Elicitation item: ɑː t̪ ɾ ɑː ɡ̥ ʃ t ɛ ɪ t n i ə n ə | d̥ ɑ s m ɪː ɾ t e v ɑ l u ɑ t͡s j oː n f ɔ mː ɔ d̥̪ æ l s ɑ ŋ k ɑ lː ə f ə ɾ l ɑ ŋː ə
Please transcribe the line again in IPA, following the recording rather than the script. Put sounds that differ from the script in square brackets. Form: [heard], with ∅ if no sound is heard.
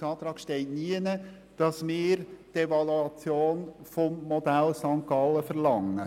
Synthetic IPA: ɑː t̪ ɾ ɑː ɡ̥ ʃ t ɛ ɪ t n i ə n ə | d̥ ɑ s m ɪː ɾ t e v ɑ l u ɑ t͡s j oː n f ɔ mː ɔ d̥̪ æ l s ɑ ŋ k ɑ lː ə f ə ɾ l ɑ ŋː ə